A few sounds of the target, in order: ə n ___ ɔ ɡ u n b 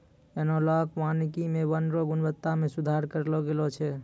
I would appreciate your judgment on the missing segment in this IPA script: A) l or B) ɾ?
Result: B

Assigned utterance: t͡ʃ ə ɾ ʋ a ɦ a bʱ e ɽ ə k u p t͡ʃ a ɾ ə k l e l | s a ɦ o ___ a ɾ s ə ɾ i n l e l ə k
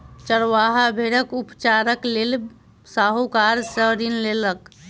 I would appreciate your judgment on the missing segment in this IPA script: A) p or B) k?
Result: B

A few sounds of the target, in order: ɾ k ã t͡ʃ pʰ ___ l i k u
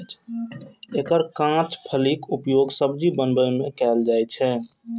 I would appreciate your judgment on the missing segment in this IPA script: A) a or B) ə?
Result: B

